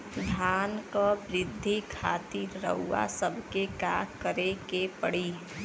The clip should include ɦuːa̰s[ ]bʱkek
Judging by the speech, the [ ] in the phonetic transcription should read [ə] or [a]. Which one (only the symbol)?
ə